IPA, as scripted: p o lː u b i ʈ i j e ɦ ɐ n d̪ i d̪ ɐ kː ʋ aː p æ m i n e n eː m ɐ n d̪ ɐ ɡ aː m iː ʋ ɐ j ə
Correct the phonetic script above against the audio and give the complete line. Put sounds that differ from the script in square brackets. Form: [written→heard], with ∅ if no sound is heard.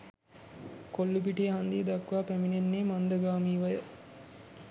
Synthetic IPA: [p→k] o lː u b i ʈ i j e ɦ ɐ n d̪ i d̪ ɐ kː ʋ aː p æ m i n e [n→nː] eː m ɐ n d̪ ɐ ɡ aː m iː ʋ ɐ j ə